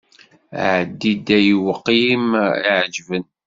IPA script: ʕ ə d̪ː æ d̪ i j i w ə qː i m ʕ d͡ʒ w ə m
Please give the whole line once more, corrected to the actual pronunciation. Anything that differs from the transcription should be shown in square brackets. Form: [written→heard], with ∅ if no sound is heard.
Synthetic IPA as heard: ʕ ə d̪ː [æ→i] d̪ [i→æ] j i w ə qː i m ʕ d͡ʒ [w→v] ə [m→n]